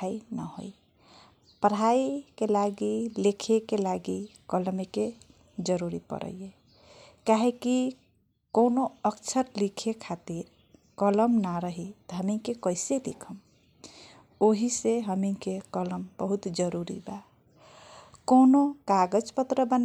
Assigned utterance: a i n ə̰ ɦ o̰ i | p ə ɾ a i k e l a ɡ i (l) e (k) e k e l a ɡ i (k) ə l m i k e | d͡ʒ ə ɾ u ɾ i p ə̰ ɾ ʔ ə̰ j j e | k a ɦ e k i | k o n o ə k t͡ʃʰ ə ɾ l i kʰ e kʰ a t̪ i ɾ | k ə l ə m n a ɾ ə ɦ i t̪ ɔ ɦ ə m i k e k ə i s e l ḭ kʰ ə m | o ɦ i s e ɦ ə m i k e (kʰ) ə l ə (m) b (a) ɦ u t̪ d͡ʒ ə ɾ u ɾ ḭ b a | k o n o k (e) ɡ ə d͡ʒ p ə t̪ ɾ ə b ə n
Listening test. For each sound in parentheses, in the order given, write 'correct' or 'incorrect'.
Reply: correct, incorrect: kʰ, correct, incorrect: k, correct, incorrect: ə, incorrect: a

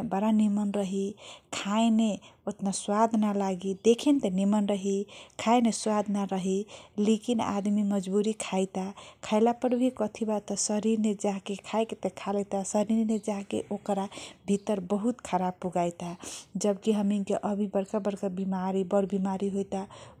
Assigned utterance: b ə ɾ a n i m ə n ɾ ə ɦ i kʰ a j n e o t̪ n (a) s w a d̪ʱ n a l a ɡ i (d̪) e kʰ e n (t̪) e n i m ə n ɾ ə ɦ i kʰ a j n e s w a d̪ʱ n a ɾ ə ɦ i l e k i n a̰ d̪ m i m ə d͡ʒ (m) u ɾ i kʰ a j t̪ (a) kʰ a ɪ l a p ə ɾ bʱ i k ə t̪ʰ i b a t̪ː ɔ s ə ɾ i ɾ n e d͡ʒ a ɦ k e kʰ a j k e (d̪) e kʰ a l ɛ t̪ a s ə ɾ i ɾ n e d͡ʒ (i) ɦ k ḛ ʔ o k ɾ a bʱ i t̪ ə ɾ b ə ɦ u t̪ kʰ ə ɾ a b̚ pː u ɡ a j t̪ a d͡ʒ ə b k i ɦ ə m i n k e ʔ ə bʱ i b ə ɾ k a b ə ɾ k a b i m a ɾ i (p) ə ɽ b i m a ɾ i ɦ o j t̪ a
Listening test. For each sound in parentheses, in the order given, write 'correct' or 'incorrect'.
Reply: correct, correct, correct, incorrect: b, correct, incorrect: t̪, incorrect: a, incorrect: b

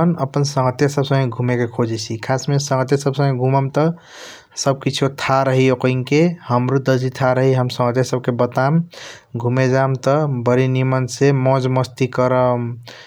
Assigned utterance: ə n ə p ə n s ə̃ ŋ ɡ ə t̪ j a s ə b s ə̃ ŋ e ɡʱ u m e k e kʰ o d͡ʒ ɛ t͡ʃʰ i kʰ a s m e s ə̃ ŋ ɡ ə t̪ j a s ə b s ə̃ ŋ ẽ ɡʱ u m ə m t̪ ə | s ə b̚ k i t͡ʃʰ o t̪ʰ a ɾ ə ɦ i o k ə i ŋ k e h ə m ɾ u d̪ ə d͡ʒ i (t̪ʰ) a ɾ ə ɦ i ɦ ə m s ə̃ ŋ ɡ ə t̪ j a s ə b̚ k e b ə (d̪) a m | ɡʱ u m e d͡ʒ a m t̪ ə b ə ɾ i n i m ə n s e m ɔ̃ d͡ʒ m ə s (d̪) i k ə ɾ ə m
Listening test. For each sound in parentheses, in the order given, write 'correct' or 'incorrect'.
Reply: correct, incorrect: t̪, incorrect: t̪

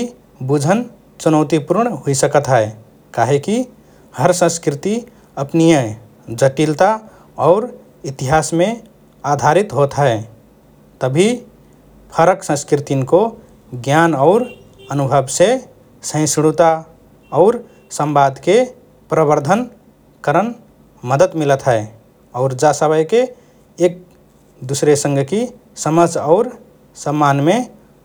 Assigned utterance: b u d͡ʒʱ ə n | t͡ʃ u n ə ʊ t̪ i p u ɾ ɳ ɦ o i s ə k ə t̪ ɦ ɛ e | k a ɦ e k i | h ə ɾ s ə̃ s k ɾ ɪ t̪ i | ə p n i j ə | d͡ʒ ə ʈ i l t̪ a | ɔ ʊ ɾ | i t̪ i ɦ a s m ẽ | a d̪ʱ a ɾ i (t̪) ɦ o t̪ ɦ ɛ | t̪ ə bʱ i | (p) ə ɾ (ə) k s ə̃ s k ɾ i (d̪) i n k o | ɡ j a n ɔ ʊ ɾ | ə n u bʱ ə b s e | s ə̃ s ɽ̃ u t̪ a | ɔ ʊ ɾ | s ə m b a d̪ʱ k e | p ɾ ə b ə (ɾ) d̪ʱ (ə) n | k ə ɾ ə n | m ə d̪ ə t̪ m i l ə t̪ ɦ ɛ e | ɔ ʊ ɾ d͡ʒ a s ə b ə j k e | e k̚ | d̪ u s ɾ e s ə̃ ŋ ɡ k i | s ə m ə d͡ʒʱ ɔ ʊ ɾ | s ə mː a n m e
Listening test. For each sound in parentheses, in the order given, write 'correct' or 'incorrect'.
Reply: correct, incorrect: pʰ, correct, incorrect: t̪, correct, correct

